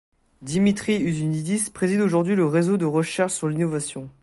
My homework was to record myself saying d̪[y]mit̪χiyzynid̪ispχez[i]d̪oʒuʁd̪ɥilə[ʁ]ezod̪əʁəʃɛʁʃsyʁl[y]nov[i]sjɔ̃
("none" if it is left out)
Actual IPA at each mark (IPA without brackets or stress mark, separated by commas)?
i, i, ʁ, i, a